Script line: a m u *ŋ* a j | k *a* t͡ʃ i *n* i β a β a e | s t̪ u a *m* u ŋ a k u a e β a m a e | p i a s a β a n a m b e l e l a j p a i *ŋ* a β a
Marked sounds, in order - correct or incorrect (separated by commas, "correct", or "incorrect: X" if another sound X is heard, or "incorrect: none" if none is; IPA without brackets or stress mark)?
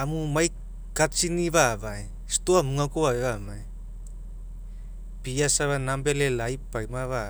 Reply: incorrect: m, correct, correct, correct, incorrect: m